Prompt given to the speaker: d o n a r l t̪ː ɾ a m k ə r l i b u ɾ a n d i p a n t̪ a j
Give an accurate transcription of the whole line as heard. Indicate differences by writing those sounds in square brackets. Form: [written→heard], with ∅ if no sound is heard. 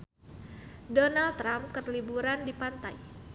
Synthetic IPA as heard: d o n a [r→∅] l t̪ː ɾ a m k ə r l i b u ɾ a n d i p a n t̪ a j